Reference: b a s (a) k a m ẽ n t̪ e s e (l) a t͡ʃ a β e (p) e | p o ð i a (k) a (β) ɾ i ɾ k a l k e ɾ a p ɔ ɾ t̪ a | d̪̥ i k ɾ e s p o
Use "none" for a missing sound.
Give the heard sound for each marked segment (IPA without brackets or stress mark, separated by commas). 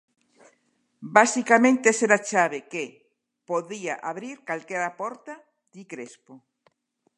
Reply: i, ɾ, k, ʔ, β